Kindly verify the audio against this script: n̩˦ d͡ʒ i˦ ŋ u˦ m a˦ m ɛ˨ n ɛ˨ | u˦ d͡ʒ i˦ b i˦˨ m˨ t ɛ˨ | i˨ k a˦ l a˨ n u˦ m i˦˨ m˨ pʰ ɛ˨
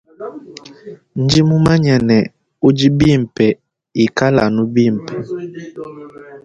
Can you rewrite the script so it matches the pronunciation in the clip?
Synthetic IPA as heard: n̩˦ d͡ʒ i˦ m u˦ m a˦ ɲ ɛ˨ n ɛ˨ | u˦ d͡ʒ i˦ b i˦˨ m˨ p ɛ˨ | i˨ k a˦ l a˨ n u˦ b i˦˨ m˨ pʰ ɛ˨